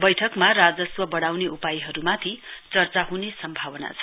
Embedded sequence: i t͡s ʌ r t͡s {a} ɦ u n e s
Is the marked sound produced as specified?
yes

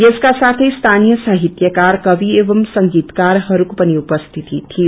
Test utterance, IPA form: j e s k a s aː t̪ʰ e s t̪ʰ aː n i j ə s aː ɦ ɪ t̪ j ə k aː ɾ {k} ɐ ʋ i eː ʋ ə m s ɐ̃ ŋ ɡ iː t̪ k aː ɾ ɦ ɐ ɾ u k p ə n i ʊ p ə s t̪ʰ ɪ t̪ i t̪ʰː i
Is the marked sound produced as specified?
yes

